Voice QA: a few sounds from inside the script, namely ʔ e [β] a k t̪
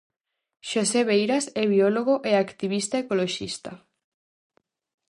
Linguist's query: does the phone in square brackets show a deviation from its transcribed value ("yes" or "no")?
yes